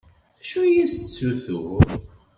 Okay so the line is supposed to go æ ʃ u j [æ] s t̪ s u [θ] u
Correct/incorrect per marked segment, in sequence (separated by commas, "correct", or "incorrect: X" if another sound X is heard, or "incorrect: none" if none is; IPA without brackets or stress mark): incorrect: i, correct